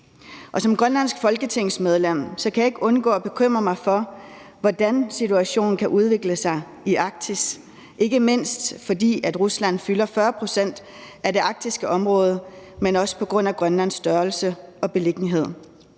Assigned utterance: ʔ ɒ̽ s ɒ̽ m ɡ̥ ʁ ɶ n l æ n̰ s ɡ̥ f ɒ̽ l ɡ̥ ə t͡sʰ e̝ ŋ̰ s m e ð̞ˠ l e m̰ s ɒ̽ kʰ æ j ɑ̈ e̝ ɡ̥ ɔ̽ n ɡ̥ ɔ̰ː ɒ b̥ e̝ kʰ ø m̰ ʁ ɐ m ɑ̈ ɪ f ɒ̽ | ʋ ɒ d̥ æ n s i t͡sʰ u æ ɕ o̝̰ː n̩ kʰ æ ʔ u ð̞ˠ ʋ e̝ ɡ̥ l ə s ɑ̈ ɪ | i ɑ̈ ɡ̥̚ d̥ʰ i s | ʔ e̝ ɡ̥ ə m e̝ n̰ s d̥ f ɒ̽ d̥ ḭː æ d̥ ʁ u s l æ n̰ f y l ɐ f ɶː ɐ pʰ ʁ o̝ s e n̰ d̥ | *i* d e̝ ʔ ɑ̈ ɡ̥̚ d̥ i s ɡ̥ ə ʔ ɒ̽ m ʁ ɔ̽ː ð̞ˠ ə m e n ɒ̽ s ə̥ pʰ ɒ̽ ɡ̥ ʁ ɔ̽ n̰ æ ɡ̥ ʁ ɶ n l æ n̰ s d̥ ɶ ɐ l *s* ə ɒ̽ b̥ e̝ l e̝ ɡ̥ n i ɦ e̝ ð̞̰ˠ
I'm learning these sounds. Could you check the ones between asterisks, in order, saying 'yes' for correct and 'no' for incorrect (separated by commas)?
no, yes